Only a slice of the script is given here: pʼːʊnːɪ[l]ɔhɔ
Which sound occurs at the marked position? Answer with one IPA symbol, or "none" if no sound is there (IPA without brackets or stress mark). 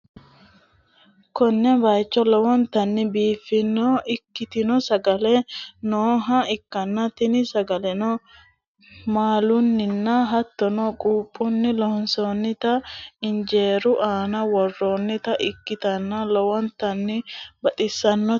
l